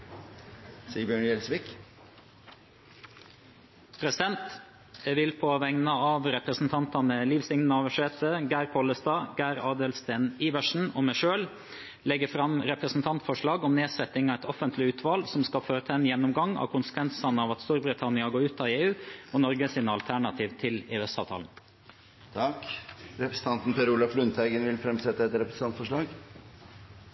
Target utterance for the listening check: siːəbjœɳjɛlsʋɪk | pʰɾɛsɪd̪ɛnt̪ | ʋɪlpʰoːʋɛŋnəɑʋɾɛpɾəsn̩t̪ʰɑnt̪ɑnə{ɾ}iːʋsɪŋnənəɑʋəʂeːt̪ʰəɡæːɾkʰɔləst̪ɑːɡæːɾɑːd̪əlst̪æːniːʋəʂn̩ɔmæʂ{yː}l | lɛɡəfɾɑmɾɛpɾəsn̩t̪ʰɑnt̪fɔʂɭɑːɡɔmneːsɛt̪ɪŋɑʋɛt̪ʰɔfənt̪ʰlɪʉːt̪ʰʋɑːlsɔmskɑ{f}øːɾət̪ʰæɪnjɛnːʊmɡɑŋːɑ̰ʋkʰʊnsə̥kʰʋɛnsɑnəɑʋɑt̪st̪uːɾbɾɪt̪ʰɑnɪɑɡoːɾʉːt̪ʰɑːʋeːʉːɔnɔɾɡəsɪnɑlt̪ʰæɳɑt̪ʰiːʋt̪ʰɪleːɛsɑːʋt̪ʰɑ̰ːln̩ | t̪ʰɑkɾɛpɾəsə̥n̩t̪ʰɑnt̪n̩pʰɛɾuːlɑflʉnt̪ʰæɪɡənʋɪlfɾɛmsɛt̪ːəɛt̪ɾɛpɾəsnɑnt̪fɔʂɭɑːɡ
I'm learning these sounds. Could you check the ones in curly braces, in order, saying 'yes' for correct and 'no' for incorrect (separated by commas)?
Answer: no, no, yes